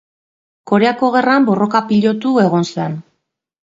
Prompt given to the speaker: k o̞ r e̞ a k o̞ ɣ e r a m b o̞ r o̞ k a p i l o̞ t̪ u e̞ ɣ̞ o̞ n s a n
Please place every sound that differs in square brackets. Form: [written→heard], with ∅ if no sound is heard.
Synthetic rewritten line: k o̞ [r→ɾ] e̞ a k o̞ ɣ e r a m b o̞ r o̞ k a p i [l→ʎ] o̞ t̪ u e̞ ɣ̞ o̞ n s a n